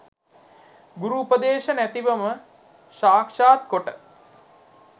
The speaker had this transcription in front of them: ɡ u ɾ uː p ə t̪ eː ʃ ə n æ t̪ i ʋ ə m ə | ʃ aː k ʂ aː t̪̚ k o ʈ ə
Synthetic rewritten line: ɡ u ɾ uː p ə d̪ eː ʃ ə n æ t̪ i ʋ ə m ə | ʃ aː k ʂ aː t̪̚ k o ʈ ə

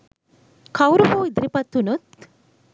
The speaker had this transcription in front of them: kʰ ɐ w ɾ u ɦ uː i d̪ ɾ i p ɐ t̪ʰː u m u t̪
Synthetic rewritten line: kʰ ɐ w ɾ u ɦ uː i d̪ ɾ i p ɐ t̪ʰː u n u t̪

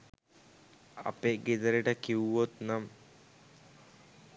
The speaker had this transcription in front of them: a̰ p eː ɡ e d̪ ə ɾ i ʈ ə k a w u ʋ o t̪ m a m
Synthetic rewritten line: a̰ p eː ɡ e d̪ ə ɾ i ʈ ə k i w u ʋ o t̪ n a m

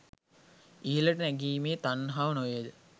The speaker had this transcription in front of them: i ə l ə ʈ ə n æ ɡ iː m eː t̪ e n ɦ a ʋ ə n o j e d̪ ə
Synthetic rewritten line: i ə l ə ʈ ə n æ ɡ iː m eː t̪ a n ɦ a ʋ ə n o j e d̪ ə

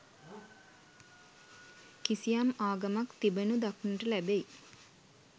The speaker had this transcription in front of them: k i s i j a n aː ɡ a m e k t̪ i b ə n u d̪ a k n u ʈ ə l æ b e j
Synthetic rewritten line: k i s i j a m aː ɡ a m a k t̪ i b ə n u d̪ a k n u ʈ ə l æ b e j

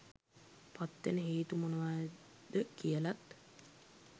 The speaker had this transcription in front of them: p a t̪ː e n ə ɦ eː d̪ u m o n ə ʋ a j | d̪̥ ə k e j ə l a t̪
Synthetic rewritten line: p a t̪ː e n ə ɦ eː t̪ u m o n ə ʋ a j | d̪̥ ə k i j ə l a t̪

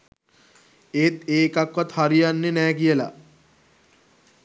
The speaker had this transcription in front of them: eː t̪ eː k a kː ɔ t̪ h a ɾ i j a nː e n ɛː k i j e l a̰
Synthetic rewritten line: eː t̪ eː k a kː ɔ t̪ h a ɾ i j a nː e n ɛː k i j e l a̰

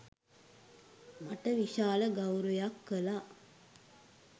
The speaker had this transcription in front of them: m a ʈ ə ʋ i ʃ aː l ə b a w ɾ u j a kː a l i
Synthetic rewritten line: m a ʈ ə ʋ i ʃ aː l ə ɡ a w ɾ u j a kː ə l a

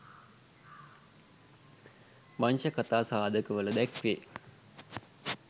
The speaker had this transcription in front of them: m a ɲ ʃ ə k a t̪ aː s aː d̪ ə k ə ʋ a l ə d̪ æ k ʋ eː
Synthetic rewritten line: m a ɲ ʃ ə k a t̪ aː s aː d̪ ə k ə ʋ ə l ə d̪ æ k ʋ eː

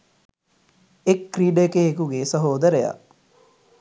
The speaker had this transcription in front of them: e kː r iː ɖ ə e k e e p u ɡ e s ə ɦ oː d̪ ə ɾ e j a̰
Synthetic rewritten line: e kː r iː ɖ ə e k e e k u ɡ e s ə ɦ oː d̪ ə ɾ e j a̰

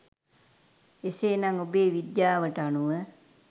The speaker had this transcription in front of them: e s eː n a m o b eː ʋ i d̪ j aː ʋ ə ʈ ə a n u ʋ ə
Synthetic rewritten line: e s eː n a ŋ o b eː ʋ i d̪ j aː ʋ ə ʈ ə a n u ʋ ə

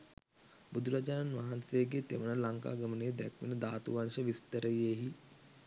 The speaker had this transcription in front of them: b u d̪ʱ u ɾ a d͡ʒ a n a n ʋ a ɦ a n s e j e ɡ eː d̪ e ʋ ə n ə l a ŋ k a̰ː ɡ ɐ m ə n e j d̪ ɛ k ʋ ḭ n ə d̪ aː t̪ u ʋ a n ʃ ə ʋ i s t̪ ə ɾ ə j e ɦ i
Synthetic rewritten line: b u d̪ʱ u ɾ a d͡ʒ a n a n ʋ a ɦ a n s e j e ɡ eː t̪ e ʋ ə n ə l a ŋ k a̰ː ɡ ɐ m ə n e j d̪ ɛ k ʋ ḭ n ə d̪ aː t̪ u ʋ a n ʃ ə ʋ i s t̪ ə ɾ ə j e ɦ i

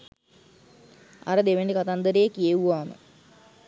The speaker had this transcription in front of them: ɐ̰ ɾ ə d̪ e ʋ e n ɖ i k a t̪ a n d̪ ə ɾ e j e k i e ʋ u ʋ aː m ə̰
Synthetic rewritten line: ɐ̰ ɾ ə d̪ e ʋ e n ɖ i k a t̪ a n d̪ ə ɾ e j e k i e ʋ u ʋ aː m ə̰

